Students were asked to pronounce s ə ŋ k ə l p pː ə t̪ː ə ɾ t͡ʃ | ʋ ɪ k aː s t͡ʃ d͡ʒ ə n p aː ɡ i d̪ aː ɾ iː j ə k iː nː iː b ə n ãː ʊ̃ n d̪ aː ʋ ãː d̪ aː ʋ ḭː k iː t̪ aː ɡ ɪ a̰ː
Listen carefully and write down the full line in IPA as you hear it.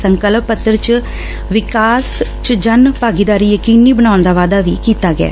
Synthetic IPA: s ə ŋ k ə l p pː ə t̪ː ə ɾ t͡ʃ | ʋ ɪ k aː s t͡ʃ d͡ʒ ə n p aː ɡ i d̪ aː ɾ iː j ə k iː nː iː b ə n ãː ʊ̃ n d̪ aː ʋ aː d̪ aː ʋ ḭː k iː t̪ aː ɡ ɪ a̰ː